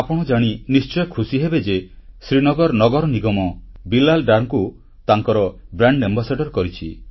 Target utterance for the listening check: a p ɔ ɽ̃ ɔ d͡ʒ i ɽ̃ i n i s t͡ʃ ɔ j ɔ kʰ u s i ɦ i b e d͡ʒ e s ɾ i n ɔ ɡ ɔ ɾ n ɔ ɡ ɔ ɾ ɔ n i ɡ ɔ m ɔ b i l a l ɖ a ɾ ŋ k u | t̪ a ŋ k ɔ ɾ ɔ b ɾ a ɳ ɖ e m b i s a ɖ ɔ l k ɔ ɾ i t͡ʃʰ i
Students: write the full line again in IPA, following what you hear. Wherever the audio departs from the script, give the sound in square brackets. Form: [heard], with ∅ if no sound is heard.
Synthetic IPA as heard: a p ɔ ɽ̃ ɔ d͡ʒ [a] ɽ̃ i n i s t͡ʃ ɔ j ɔ kʰ u s i ɦ [e] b e d͡ʒ e s ɾ i n ɔ ɡ ɔ ɾ n ɔ ɡ ɔ ɾ ɔ n i ɡ ɔ m ɔ b i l a l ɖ a ɾ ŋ k u | t̪ a ŋ k ɔ ɾ ɔ b ɾ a ɳ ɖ e m b [a] s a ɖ ɔ [ɾ] k ɔ ɾ i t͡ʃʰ i